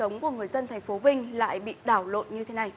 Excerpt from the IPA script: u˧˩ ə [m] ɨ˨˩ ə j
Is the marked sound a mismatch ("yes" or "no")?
yes